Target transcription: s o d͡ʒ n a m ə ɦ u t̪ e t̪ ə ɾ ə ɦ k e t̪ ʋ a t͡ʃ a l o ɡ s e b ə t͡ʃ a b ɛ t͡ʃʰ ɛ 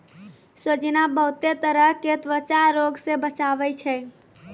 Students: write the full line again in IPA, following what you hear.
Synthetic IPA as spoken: s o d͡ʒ n a b ə ɦ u t̪ e t̪ ə ɾ ə ɦ k e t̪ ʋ ə t͡ʃ a ɾ o ɡ s e b ə t͡ʃ a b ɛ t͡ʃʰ ɛ

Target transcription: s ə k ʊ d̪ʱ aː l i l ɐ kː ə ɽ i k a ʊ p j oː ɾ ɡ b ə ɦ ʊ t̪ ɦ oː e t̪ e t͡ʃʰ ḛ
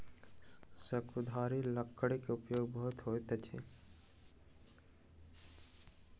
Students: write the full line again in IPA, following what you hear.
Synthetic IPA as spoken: s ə k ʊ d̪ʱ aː ɾ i l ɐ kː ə ɽ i k e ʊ p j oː ɡ b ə ɦ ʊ t̪ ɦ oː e t̪ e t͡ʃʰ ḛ

